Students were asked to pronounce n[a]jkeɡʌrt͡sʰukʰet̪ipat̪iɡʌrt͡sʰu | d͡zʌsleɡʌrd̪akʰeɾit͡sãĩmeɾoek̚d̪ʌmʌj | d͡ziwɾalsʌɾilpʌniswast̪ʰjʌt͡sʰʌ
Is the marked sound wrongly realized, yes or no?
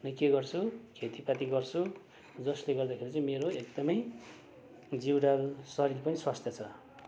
yes